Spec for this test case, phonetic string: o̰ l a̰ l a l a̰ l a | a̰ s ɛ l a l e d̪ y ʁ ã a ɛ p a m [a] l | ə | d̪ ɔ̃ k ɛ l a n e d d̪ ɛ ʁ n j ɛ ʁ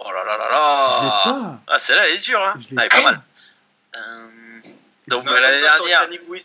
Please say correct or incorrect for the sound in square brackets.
correct